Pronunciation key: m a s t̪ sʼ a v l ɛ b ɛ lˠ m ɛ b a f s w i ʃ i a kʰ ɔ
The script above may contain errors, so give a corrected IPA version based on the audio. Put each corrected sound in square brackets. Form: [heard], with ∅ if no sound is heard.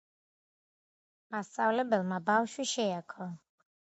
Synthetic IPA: m a s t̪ sʼ a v l ɛ b ɛ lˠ m [a] b a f [ʃ] w i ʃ [ɛ] a kʰ ɔ